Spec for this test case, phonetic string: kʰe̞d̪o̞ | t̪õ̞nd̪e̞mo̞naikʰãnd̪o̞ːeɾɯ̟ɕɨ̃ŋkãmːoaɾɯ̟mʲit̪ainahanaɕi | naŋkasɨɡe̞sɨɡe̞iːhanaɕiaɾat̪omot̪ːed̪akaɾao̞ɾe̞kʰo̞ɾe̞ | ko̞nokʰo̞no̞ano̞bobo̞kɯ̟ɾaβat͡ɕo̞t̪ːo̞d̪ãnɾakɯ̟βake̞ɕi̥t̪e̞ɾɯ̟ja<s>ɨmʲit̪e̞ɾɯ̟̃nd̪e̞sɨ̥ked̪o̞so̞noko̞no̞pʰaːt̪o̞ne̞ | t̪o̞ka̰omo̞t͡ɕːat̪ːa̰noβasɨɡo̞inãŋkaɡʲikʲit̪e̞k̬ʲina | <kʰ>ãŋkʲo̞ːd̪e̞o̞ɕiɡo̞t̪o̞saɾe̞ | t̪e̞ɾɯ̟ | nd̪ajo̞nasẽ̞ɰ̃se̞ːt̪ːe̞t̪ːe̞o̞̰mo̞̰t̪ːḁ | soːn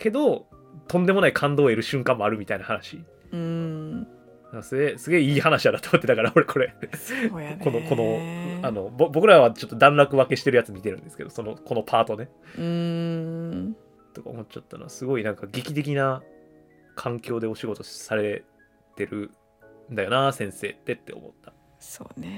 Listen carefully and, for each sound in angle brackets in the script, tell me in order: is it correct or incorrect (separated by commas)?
incorrect, correct